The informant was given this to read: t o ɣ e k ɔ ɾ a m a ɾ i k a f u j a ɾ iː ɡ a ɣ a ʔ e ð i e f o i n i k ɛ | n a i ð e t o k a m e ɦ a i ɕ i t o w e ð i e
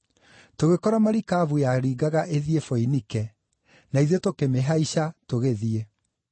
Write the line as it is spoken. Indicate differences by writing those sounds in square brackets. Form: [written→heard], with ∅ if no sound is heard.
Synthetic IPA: t o ɣ e k ɔ ɾ a m a ɾ i k a [f→v] u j a ɾ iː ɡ a ɣ a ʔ e ð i e f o i n i k ɛ | n a i ð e t o k [a→e] m e ɦ a i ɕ [i→a] t o [w→ɣ] e ð i e